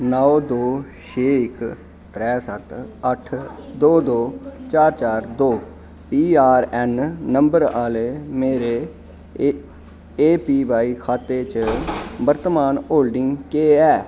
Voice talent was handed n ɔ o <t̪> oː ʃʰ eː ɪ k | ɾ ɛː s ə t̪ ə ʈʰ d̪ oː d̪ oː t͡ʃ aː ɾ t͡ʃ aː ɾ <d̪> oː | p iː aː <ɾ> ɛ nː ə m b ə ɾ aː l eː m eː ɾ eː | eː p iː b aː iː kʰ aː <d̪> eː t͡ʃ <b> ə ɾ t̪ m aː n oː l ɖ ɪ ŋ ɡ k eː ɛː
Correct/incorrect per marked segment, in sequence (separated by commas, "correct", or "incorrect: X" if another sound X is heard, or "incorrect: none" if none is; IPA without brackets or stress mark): incorrect: d̪, correct, correct, incorrect: t̪, correct